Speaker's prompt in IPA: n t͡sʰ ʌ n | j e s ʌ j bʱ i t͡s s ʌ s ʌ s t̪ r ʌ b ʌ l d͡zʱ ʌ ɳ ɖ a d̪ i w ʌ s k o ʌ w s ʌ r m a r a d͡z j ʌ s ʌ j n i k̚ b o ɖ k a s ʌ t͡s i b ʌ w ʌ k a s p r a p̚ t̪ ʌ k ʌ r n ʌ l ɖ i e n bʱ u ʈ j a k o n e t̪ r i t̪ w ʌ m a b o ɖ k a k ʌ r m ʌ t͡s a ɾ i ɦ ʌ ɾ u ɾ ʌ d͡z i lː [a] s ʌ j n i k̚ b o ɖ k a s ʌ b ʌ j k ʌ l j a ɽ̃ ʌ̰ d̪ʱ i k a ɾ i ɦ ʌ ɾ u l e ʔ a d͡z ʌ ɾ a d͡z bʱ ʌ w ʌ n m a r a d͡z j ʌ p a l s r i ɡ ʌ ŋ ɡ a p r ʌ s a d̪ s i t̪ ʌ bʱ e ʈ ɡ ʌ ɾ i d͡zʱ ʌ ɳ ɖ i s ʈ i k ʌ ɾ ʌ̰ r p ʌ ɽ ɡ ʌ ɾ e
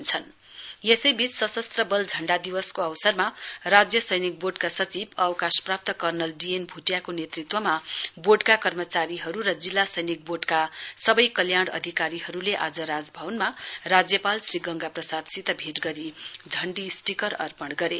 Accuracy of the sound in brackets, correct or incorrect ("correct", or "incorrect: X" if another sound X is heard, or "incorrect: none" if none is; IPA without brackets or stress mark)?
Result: correct